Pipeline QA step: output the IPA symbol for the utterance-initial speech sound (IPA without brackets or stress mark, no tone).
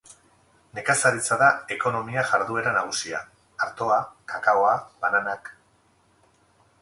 n